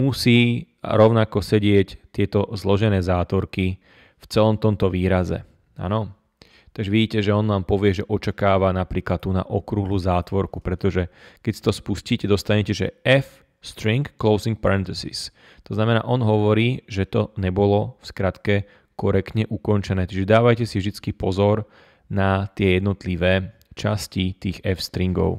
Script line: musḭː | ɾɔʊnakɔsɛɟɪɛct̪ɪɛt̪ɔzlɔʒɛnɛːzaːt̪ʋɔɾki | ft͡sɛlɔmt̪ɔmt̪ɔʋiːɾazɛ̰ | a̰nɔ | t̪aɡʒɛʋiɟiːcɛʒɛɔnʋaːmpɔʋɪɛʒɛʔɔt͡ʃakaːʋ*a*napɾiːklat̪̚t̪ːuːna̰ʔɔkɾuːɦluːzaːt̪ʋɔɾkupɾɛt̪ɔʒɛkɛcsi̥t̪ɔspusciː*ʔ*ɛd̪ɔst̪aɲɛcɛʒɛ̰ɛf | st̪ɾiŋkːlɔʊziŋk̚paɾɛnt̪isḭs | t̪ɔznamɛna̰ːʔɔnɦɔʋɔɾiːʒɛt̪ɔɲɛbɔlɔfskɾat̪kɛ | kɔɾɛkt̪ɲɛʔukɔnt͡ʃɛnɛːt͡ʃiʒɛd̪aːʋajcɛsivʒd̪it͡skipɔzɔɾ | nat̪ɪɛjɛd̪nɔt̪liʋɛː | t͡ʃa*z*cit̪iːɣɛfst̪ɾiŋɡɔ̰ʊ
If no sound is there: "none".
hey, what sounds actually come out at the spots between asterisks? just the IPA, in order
a, c, s

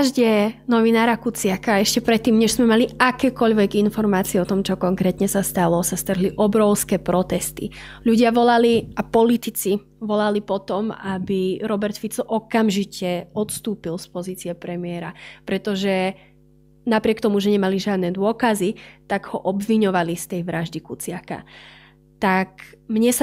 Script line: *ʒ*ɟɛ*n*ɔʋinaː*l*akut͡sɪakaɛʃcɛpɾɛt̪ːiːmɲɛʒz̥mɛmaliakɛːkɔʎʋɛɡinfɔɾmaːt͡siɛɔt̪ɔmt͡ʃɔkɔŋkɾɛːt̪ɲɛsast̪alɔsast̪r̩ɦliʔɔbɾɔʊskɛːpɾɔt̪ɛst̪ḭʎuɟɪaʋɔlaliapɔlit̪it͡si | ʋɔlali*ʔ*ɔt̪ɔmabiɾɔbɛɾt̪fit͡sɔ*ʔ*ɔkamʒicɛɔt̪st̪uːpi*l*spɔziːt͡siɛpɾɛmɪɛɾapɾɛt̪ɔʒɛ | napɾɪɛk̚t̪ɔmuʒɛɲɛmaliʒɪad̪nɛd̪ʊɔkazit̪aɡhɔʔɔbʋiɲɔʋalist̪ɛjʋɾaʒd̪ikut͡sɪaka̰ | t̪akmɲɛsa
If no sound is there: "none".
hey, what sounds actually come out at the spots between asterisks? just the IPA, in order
ʒ, n, ɾ, p, ʔ, l

